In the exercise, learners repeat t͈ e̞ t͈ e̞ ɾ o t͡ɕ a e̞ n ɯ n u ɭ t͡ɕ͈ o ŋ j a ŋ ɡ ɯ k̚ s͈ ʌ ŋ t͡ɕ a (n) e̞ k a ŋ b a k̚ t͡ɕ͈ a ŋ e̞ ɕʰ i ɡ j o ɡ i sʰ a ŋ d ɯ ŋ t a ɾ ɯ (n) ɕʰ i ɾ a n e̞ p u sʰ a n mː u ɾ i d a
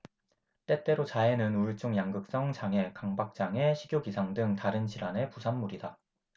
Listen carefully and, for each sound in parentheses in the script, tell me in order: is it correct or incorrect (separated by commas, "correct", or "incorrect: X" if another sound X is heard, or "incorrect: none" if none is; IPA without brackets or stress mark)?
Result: incorrect: ŋ, correct